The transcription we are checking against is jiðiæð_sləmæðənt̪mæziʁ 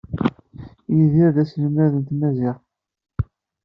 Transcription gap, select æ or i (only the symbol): æ